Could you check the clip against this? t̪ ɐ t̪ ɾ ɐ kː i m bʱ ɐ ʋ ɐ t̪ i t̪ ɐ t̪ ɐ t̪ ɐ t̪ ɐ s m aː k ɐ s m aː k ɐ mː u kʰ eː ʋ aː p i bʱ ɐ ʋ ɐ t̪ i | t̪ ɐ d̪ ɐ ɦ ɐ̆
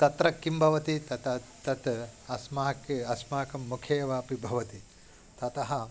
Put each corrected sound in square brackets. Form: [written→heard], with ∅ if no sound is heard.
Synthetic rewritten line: t̪ ɐ t̪ ɾ ɐ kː i m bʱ ɐ ʋ ɐ t̪ i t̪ ɐ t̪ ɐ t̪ ɐ t̪ ɐ s m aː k ɐ s m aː k ɐ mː u kʰ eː ʋ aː p i bʱ ɐ ʋ ɐ t̪ i | t̪ ɐ [d̪→t̪] ɐ ɦ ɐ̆